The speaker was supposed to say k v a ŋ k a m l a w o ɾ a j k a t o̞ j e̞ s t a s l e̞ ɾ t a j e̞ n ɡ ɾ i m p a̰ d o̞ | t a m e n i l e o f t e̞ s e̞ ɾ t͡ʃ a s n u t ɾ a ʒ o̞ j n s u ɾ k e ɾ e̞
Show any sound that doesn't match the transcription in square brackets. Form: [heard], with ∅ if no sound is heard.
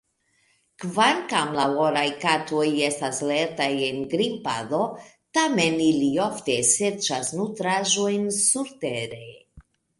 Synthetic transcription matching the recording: k v a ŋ k a m l a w o ɾ a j k a t o̞ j e̞ s t a s l e̞ ɾ t a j e̞ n ɡ ɾ i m p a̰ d o̞ | t a m e n i l [i] o f t e̞ s e̞ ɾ t͡ʃ a s n u t ɾ a ʒ o̞ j n s u ɾ [t] e ɾ e̞